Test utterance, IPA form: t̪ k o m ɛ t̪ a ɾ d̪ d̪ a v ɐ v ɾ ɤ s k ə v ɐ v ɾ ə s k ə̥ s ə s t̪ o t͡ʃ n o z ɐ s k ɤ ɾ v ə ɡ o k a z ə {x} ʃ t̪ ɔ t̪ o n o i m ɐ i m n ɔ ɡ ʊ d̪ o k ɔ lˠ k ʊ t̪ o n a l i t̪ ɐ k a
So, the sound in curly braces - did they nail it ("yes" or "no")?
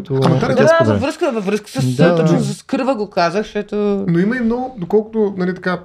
yes